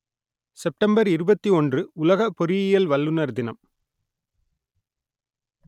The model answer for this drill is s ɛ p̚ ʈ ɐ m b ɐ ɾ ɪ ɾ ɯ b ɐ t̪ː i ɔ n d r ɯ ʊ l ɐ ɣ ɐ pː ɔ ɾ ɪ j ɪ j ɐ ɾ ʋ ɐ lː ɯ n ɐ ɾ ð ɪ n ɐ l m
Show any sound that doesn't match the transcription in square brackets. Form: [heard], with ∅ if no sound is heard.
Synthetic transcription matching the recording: s ɛ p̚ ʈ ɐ m b ɐ ɾ ɪ ɾ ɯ b ɐ t̪ː i ɔ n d r ɯ ʊ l ɐ ɣ ɐ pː ɔ ɾ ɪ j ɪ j ɐ [l] ʋ ɐ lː ɯ n ɐ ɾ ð ɪ n ɐ [∅] m